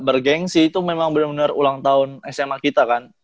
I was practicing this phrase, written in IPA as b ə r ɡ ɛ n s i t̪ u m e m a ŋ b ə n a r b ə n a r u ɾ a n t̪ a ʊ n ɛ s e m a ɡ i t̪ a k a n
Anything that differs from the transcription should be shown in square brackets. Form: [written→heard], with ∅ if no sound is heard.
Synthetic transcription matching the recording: b ə r ɡ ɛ [n→ŋ] s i t̪ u m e m a ŋ b ə n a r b ə n a r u [ɾ→l] a [n→ŋ] t̪ a ʊ n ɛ s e m a [ɡ→k] i t̪ a k a n